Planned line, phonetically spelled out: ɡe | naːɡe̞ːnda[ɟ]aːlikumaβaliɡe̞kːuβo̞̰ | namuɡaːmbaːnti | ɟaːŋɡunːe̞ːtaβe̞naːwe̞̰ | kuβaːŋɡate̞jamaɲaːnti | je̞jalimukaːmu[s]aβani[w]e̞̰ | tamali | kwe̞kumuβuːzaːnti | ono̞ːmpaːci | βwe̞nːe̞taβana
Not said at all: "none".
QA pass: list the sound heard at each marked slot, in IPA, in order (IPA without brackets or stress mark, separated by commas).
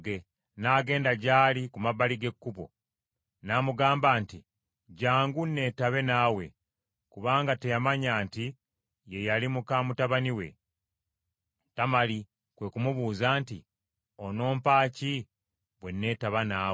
ɟ, t, w